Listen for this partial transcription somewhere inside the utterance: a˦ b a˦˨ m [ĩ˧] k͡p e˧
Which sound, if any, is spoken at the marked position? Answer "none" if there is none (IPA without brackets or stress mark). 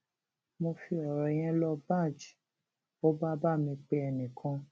ĩ˧